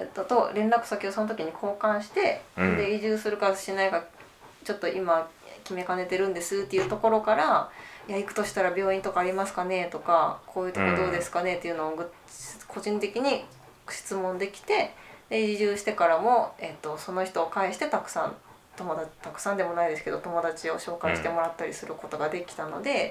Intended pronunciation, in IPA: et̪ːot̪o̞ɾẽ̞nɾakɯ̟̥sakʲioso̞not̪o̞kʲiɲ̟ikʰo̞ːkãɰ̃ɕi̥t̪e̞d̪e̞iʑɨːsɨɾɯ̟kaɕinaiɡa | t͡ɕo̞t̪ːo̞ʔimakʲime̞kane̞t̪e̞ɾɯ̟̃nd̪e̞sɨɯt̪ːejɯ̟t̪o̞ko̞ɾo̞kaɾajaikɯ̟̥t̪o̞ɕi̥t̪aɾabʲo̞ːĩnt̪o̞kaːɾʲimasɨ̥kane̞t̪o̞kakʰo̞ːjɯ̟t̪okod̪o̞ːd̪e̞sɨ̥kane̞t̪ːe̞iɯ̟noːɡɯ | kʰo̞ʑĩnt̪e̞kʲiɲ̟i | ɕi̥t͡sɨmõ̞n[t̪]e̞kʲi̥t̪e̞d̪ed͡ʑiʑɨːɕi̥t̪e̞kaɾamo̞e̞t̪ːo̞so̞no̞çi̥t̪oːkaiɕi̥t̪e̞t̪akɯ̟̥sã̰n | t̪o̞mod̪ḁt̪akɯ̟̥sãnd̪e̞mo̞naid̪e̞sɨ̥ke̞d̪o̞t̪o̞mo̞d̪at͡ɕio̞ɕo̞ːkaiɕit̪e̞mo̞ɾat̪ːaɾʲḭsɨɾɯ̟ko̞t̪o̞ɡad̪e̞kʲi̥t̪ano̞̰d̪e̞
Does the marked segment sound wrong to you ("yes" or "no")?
yes